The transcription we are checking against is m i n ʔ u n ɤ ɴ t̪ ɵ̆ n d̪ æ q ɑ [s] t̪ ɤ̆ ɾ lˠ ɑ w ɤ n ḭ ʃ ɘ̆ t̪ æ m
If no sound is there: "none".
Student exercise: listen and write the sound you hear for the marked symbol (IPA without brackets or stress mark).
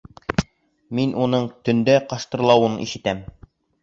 ʃ